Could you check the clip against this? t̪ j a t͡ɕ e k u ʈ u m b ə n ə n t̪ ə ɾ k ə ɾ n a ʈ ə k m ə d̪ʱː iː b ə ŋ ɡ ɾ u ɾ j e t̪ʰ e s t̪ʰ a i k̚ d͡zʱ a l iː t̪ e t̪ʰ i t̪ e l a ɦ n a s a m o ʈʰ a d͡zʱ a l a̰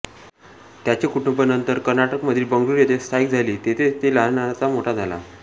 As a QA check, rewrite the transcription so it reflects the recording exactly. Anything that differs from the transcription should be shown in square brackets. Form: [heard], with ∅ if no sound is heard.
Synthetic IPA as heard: t̪ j a t͡ɕ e k u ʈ u m b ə n ə n t̪ ə ɾ k ə ɾ n a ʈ ə k m ə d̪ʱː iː b ə ŋ ɡ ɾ u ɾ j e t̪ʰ e s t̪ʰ a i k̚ d͡zʱ a l iː t̪ e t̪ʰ [e] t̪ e l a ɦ n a [t͡s] a m o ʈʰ a d͡zʱ a l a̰